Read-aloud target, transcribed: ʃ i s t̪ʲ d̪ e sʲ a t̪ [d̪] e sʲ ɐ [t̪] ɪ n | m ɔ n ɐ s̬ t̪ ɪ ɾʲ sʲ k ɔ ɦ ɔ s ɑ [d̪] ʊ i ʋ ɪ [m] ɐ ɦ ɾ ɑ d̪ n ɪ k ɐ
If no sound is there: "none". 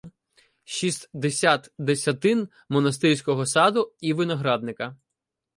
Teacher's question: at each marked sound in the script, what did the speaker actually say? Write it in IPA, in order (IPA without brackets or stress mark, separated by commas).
d̪, t̪, d̪, n